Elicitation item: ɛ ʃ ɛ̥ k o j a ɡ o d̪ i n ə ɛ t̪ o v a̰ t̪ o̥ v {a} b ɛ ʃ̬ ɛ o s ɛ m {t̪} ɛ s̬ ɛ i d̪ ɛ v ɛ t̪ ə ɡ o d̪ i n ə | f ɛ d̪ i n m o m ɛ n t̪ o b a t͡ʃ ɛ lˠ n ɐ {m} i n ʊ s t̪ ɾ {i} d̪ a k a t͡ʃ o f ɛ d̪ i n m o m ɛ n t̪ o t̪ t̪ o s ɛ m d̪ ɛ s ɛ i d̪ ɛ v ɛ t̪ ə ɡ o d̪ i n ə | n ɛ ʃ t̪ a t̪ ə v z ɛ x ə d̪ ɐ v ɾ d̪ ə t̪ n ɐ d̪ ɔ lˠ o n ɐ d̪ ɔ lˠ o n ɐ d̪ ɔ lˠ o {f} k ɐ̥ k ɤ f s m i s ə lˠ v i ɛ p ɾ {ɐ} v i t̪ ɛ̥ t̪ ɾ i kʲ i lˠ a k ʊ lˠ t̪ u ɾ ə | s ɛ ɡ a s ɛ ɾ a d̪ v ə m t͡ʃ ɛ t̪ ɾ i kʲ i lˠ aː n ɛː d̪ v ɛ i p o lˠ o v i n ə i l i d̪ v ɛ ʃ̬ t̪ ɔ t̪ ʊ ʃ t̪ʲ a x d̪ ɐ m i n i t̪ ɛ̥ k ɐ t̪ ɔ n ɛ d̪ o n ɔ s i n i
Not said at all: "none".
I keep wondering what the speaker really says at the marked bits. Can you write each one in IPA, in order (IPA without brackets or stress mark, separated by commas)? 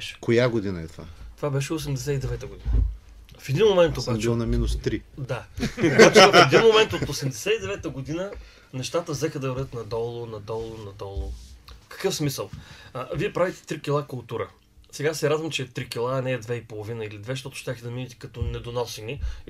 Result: a, d̪, m, i, f, a